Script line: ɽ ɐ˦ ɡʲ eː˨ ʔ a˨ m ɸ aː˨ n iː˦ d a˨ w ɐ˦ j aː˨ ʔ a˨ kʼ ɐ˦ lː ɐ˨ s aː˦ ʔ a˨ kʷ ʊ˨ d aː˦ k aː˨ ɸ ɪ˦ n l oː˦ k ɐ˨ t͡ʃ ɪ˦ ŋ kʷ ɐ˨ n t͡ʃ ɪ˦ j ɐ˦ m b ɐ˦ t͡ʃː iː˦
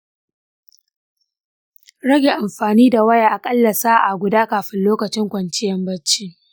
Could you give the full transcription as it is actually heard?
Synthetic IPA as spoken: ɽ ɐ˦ ɡʲ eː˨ ʔ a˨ m ɸ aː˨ n iː˦ d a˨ w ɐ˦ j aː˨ ʔ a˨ kʼ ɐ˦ lː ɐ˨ s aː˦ ʔ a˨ ɡʷ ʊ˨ d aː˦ k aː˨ ɸ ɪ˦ n l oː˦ k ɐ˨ t͡ʃ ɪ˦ ŋ kʷ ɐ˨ n t͡ʃ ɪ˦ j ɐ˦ m b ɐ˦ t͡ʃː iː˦

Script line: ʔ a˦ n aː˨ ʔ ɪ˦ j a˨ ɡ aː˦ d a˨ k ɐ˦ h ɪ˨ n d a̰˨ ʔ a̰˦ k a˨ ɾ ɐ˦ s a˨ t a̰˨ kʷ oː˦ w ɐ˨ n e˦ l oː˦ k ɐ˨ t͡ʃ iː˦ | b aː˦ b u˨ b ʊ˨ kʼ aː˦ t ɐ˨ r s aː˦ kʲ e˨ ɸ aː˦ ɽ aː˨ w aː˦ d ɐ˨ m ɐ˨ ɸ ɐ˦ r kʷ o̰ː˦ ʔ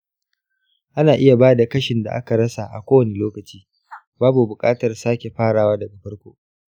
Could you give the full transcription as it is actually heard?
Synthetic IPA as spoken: ʔ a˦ n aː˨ ʔ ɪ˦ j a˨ b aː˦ d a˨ k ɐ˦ ʃ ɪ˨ n d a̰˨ ʔ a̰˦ k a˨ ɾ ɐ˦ s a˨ ʔ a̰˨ kʷ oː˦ w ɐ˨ n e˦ l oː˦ k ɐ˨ t͡ʃ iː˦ | b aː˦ b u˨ b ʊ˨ kʼ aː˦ t ɐ˨ r s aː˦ kʲ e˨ ɸ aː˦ ɽ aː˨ w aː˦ d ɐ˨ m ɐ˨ ɸ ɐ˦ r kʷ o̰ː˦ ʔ

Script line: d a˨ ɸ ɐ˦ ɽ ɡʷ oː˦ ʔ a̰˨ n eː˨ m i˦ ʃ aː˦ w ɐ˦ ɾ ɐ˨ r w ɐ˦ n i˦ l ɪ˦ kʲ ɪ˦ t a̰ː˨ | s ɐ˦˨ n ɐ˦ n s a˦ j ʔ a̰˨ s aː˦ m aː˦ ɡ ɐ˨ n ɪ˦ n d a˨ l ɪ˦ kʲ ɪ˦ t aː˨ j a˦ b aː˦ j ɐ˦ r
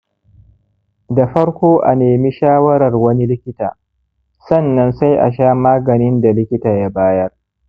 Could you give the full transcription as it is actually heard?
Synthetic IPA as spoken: d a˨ ɸ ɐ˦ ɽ kʷ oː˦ ʔ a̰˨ n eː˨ m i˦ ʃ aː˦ w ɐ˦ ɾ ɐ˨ r w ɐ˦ n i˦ l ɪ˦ kʲ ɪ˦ t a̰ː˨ | s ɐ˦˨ nː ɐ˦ n s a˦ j ʔ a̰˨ ʃ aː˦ m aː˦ ɡ ɐ˨ n ɪ˦ n d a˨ l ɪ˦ kʲ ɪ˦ t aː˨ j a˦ b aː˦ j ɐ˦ r

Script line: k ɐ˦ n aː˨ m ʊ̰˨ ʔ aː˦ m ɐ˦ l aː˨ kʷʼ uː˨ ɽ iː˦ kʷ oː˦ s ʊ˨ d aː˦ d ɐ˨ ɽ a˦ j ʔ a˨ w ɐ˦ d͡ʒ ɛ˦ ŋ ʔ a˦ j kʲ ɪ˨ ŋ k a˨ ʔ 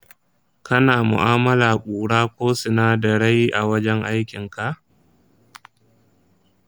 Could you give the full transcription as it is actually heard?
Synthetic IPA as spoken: k ɐ˦ n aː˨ m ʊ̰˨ ʔ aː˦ m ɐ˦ l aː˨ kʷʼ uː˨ ɽ aː˦ kʷ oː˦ s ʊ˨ n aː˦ d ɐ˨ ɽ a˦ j ʔ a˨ w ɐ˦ d͡ʒ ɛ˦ ŋ ʔ a˦ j kʲ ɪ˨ ŋ k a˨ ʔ

